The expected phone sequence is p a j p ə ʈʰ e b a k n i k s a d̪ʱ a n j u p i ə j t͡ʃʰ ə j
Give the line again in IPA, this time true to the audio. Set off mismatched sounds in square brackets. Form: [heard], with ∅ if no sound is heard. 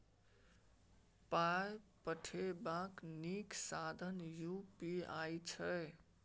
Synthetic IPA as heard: p a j p ə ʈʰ e b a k n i k s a d̪ʱ [ə] n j u p i [a] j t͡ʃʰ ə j